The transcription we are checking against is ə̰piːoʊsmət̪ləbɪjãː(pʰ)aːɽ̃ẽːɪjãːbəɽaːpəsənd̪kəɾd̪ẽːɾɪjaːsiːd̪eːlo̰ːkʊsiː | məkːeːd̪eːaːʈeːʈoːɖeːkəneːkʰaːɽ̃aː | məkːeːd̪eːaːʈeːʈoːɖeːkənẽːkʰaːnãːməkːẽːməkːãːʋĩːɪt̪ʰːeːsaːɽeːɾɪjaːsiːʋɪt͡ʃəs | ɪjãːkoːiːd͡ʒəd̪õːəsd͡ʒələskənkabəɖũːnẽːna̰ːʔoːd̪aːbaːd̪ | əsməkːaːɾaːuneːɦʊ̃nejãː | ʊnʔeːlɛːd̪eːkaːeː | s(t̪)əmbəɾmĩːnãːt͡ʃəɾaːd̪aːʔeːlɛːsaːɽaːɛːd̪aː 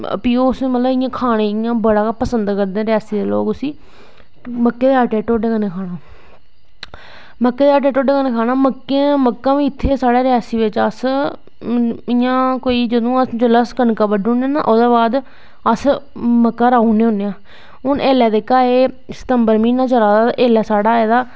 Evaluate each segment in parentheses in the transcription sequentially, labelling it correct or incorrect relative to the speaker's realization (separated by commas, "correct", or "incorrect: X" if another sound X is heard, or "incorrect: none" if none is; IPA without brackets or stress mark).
incorrect: kʰ, correct